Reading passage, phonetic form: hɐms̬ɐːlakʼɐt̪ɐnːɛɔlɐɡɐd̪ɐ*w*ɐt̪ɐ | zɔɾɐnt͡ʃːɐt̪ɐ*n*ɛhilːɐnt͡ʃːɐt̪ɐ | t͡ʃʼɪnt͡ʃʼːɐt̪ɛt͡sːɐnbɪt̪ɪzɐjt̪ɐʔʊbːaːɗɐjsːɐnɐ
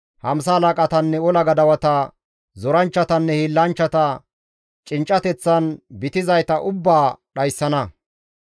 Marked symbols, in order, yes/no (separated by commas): yes, no